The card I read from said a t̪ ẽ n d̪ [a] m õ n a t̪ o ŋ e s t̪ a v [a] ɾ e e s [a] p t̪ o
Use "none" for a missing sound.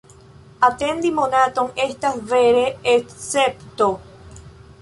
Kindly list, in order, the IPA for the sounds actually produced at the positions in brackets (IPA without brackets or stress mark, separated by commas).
i, e, e